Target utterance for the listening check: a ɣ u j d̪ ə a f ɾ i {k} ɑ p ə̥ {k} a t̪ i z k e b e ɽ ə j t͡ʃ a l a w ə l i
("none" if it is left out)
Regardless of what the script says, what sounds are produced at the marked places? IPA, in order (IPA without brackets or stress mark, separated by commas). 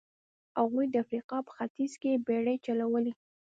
q, x